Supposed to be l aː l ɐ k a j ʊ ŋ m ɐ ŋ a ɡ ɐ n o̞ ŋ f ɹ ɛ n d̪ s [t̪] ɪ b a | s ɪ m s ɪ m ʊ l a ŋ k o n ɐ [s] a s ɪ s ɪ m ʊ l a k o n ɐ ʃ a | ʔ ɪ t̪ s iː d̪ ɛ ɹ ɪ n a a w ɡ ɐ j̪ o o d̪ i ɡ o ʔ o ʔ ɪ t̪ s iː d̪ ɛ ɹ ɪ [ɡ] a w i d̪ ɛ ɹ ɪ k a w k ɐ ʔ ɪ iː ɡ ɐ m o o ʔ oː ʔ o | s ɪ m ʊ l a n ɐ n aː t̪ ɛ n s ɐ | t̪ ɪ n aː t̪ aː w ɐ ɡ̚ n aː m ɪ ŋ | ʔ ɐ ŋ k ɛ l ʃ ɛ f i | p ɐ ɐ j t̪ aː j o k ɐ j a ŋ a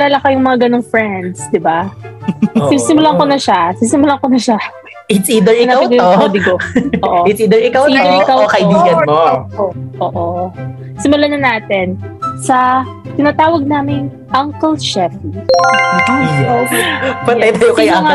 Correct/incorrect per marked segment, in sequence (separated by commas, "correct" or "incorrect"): incorrect, incorrect, incorrect